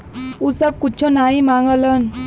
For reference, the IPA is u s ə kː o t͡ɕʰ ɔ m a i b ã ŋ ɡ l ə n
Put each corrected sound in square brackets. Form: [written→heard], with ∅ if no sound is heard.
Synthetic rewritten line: u s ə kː [o→u] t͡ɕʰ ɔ [m→n] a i [b→m] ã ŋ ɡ l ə n